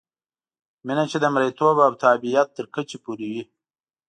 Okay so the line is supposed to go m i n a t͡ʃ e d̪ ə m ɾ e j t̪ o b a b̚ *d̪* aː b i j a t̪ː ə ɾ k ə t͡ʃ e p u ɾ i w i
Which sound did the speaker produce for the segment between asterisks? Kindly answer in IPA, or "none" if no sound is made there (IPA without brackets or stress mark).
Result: t̪